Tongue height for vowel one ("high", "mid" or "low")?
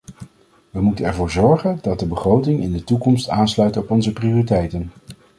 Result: mid